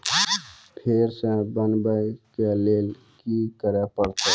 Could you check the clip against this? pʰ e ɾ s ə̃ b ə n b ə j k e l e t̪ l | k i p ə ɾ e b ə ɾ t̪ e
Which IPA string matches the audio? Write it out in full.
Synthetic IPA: pʰ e ɾ s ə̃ b ə n b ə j k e l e l | k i k ə ɾ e p ə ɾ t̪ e